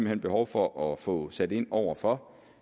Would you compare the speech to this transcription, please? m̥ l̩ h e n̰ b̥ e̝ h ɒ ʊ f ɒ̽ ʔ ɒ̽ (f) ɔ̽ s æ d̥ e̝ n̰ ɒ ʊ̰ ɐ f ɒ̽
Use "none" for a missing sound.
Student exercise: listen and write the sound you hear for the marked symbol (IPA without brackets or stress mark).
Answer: f